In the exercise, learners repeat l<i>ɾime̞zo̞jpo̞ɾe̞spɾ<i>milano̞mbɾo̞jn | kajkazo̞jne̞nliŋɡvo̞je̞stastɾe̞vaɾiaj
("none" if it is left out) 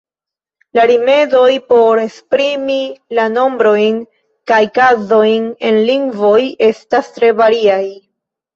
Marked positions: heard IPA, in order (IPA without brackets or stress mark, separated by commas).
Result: a, i